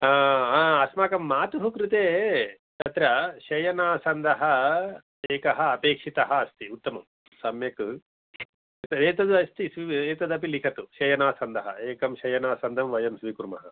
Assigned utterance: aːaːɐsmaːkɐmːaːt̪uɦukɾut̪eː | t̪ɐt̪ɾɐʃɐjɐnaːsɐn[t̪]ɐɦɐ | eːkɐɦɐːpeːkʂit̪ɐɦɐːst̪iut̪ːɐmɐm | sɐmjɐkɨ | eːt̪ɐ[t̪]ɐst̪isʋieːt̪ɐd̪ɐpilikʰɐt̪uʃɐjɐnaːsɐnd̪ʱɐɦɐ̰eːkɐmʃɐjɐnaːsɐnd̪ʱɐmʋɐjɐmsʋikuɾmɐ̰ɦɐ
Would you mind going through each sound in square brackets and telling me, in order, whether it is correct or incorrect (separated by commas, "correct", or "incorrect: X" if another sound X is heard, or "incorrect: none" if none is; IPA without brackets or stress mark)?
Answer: incorrect: d̪, incorrect: d̪